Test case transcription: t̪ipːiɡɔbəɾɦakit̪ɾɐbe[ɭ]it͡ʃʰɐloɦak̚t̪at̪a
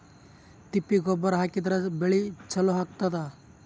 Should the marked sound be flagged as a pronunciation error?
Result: no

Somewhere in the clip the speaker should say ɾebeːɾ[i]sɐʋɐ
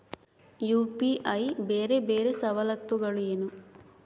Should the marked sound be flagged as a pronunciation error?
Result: yes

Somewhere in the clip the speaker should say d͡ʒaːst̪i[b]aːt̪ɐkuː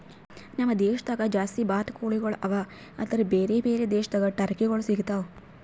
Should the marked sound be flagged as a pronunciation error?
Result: no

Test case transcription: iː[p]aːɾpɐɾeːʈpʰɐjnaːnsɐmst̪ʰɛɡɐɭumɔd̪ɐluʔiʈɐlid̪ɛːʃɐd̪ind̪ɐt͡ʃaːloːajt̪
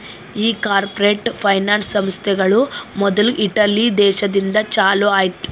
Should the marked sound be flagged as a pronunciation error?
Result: yes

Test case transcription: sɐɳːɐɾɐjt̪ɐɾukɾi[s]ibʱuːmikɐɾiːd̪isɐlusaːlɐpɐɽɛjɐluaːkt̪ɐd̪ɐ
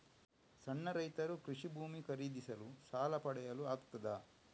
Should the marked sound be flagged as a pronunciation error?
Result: yes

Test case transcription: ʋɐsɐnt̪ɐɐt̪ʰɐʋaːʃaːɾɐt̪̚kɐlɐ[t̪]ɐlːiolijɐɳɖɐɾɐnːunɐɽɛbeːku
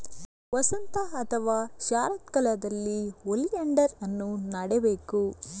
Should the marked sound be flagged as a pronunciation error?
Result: yes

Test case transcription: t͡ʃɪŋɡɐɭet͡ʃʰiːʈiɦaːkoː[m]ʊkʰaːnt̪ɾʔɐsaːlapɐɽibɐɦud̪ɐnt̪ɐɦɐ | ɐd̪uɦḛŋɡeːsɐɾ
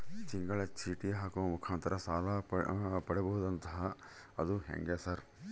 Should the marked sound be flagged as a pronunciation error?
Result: no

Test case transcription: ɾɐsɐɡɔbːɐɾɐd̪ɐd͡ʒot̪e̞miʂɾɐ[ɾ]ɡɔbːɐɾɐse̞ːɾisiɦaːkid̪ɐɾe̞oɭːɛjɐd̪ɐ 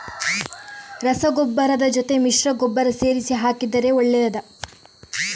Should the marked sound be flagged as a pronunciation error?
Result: yes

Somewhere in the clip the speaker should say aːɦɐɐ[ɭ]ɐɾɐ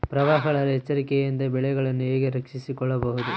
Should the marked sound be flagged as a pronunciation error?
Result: no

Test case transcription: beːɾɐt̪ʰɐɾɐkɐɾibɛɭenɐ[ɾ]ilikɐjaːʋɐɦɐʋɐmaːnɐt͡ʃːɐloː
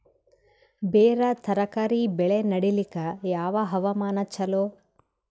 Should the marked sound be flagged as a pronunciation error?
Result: yes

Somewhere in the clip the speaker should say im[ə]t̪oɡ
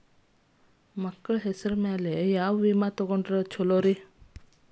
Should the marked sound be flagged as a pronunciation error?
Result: yes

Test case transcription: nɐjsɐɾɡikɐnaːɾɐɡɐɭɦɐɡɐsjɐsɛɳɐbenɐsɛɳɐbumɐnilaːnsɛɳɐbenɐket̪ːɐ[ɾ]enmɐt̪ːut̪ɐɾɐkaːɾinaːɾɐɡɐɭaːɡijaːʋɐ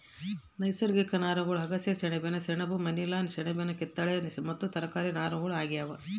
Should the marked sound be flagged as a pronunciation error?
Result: yes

